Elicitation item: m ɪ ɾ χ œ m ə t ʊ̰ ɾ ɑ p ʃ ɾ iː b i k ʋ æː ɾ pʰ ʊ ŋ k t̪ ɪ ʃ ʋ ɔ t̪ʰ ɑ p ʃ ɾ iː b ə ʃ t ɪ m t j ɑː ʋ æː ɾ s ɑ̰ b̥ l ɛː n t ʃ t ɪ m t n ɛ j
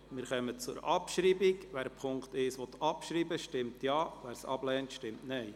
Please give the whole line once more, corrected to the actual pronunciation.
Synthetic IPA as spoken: m ɪ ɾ χ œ m ə t͡s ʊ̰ ɾ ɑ p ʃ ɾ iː b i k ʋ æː ɾ pʰ ʊ ŋ k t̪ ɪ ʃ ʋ ɔ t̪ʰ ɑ p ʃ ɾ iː b ə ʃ t ɪ m t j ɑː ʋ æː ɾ s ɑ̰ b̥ l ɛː n t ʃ t ɪ m t n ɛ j